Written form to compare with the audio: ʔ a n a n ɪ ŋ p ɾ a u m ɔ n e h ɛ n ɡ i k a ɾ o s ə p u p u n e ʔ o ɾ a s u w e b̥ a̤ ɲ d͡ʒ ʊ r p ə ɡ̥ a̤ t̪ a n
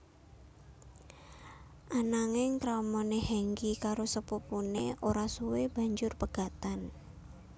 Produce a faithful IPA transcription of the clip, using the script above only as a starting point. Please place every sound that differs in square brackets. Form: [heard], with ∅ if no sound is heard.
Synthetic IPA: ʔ a n a [ŋ] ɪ ŋ [k] ɾ a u m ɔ n e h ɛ [ŋ] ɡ i k a ɾ o s ə p u p u n e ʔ o ɾ a s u w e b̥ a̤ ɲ d͡ʒ ʊ r p ə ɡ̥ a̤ t̪ a n